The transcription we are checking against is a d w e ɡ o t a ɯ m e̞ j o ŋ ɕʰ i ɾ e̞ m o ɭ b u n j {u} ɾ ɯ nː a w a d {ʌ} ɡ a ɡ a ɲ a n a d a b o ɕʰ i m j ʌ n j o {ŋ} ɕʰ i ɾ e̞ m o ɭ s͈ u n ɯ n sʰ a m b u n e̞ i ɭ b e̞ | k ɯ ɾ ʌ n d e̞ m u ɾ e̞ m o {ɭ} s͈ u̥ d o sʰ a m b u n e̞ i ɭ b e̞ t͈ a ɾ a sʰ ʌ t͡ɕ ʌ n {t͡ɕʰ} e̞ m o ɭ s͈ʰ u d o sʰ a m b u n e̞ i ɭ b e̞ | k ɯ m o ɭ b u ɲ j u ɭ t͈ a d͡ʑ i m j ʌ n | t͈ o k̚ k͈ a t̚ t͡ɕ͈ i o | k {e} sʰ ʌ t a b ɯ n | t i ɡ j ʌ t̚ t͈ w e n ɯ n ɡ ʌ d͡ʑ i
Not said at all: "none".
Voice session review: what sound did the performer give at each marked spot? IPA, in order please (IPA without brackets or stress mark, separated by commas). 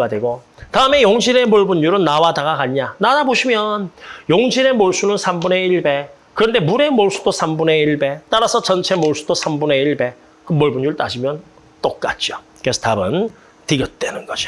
u, a, ŋ, ɭ, t͡ɕʰ, e